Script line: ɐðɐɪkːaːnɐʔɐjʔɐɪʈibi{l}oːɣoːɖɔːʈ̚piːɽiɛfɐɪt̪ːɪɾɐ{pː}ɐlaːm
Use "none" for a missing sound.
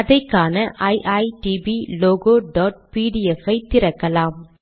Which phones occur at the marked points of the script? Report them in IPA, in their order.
l, kː

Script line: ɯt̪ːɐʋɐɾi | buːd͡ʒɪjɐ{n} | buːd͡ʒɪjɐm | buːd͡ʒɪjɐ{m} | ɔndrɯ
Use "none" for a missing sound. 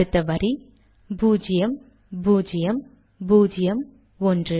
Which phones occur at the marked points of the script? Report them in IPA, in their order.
m, m

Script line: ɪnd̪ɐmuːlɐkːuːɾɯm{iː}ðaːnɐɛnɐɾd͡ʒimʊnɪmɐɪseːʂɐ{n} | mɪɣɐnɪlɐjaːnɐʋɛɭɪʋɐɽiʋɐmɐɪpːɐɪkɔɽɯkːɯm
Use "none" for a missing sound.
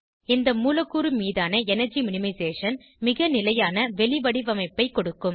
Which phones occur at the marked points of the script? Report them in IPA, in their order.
iː, n

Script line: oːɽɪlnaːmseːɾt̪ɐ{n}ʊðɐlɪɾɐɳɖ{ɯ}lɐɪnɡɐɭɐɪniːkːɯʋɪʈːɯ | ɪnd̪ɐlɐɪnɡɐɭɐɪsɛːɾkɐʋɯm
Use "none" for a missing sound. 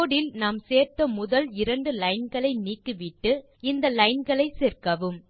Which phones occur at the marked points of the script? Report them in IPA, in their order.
m, ɯ

